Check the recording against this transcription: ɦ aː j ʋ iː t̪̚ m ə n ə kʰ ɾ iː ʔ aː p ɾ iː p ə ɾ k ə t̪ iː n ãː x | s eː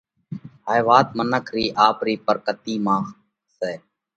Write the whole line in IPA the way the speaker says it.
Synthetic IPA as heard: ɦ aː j ʋ aː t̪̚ m ə n ə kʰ ɾ iː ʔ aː p ɾ iː p ə ɾ k ə t̪ iː m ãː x | s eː